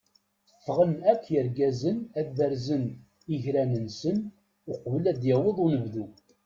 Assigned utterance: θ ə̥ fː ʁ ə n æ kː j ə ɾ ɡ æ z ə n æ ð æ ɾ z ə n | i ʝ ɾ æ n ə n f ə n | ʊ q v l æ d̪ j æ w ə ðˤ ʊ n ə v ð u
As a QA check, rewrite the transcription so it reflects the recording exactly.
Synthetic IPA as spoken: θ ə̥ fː ʁ ə n æ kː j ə ɾ ɡ æ z ə n æ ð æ ɾ z ə n | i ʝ ɾ æ n ə n s ə n | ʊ q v l æ d̪ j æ w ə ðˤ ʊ n ə v ð u